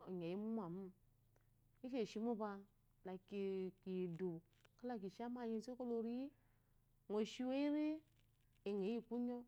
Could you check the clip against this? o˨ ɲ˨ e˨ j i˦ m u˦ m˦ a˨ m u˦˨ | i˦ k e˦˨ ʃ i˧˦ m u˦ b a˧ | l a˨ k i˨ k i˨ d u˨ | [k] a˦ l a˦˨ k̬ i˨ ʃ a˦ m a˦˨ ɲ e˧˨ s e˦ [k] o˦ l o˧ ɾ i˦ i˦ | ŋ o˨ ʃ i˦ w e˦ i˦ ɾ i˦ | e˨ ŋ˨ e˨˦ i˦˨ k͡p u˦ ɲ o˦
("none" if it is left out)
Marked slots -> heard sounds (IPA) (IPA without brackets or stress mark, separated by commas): k, k